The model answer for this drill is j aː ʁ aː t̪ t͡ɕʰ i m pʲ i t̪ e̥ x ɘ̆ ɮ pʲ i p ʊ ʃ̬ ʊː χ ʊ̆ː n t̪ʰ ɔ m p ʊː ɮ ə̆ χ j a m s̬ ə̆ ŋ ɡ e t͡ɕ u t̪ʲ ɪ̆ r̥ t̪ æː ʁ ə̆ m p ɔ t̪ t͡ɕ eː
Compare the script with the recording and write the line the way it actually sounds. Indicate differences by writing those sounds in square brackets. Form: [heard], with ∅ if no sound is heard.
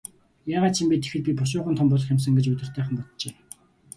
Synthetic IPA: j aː ʁ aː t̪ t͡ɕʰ i m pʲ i t̪ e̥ x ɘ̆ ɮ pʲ i p ʊ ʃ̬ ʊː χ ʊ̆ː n t̪ʰ ɔ m p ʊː ɮ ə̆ χ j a m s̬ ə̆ ŋ ɡ e t͡ɕ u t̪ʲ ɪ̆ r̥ t̪ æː [χ] ə̆ m p ɔ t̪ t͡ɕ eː